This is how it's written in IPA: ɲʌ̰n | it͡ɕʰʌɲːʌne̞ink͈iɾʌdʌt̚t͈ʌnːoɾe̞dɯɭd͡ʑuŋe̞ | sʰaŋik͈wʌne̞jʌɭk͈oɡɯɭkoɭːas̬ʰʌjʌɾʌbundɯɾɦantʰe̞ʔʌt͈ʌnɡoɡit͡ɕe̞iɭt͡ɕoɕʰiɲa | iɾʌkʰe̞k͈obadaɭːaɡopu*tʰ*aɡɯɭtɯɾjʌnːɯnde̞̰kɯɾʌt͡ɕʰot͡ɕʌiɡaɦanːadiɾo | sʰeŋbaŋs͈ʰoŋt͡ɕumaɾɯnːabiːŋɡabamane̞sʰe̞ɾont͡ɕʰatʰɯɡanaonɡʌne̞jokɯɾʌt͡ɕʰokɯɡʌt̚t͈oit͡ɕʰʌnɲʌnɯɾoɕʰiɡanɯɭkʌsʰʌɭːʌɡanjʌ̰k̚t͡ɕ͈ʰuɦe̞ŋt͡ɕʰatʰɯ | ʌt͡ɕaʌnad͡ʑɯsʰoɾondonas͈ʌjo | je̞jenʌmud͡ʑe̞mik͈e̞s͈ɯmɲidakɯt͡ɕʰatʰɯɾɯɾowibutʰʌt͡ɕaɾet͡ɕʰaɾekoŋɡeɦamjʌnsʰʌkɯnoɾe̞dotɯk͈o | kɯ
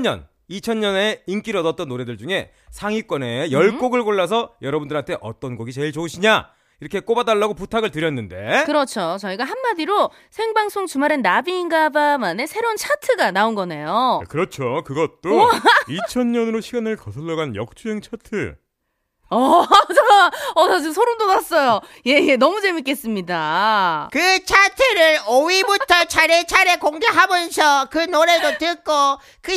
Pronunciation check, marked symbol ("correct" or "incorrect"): correct